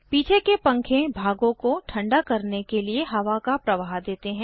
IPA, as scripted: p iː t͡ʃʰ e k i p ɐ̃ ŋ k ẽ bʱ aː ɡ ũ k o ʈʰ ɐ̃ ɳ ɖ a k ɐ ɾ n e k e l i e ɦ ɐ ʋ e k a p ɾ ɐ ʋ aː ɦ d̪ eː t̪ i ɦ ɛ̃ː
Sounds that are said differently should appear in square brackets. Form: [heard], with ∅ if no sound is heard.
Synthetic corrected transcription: p iː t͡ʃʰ e k [e] p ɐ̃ ŋ [kʰ] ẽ bʱ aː ɡ [õ] k o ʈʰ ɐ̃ ɳ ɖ a k ɐ ɾ n e k e l i e ɦ ɐ ʋ [a] k a p ɾ ɐ ʋ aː ɦ d̪ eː t̪ [e] ɦ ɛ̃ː